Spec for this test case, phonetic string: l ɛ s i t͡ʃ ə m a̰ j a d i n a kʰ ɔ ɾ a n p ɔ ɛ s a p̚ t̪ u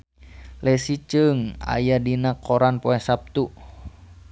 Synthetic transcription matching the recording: l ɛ s i t͡ʃ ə ŋ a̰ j a d i n a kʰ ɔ ɾ a n p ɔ ɛ s a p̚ t̪ u